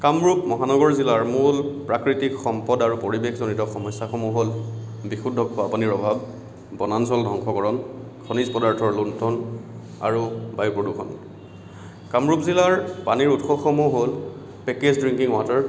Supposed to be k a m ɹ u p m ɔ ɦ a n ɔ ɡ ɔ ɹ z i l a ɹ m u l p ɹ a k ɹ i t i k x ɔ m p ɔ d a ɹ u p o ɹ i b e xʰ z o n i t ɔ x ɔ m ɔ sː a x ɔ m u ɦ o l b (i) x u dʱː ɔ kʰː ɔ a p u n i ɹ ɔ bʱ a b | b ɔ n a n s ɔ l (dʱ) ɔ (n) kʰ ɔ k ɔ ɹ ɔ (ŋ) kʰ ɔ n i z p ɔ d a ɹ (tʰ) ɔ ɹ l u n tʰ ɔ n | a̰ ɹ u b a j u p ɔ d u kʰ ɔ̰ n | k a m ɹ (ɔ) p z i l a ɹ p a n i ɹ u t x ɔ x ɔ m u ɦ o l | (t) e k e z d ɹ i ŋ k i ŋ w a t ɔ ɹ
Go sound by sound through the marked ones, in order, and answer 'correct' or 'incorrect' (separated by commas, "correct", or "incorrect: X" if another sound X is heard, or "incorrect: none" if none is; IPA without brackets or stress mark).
correct, correct, incorrect: ŋ, incorrect: n, correct, incorrect: u, incorrect: p